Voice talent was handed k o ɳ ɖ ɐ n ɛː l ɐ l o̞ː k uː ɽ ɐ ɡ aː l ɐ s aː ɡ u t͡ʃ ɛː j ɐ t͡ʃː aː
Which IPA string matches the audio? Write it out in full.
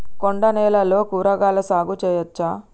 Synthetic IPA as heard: k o ɳ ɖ ɐ n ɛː l ɐ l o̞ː k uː ɾ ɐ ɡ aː l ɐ s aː ɡ u t͡ʃ ɛː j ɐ t͡ʃː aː